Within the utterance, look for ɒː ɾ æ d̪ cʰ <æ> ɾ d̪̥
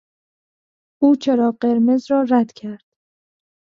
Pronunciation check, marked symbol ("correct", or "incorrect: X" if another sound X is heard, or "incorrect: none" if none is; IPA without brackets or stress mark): correct